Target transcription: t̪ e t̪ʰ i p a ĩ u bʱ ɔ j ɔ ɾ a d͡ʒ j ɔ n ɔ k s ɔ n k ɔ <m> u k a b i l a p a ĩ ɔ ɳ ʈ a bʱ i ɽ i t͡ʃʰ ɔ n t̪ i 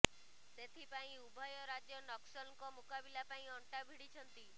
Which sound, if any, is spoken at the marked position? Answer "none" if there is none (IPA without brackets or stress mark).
m